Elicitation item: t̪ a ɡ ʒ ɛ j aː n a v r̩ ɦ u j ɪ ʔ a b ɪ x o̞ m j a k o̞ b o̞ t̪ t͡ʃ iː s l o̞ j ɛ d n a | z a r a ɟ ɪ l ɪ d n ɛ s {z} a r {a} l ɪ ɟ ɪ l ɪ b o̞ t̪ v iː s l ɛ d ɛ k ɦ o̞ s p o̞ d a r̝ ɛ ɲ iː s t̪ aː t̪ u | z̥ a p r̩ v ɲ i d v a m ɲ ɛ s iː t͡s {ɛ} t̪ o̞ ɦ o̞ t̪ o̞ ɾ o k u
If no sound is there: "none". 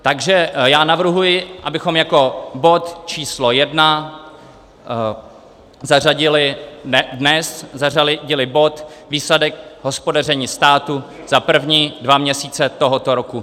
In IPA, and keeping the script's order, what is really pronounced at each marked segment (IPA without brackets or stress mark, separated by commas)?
z, a, ɛ